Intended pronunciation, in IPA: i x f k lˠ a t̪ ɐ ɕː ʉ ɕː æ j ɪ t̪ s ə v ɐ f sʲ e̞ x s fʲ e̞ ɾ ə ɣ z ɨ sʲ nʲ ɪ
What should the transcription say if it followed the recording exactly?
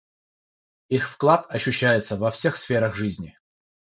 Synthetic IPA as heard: i x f k lˠ a t̪ ɐ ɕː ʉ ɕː æ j ɪ t̪ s ə v ɐ f sʲ e̞ x s fʲ e̞ ɾ ə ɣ ʐ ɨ zʲ nʲ ɪ